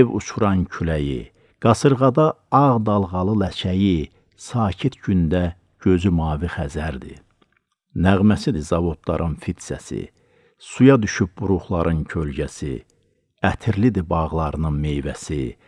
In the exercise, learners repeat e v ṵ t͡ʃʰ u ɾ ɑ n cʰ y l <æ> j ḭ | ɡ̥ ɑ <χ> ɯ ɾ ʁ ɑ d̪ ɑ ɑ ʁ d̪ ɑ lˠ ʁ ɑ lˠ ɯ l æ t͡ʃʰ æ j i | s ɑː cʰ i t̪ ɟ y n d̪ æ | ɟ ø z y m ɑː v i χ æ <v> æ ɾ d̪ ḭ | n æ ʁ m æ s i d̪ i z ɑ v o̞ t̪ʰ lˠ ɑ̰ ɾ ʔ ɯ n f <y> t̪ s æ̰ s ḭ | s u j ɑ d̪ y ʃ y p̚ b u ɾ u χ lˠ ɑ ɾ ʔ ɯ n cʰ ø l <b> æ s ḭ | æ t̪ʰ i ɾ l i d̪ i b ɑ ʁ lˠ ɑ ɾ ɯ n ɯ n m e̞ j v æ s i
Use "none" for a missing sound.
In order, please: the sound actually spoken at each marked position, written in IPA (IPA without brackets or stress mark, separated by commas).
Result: æ, s, z, i, ɟ